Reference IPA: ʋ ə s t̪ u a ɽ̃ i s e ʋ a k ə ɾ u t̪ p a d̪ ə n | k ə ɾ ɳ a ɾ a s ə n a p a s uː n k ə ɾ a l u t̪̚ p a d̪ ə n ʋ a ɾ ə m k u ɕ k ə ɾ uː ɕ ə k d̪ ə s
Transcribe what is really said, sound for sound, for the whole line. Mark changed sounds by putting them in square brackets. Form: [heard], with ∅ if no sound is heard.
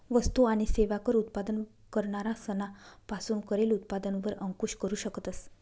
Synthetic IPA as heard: ʋ ə s t̪ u a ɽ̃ i s e ʋ a k ə ɾ u t̪ p a d̪ ə n | k ə ɾ ɳ a ɾ a s ə n a p a s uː n k ə ɾ [e] l u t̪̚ p a d̪ ə n ʋ [ə] ɾ ə [ŋ] k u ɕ k ə ɾ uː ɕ ə k [t̪] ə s